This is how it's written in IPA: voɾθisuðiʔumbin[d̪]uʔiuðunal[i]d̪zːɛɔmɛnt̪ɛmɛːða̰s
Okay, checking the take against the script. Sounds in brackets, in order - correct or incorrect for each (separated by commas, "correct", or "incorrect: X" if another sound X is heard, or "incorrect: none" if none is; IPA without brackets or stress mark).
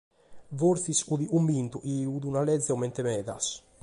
incorrect: t̪, incorrect: ɛ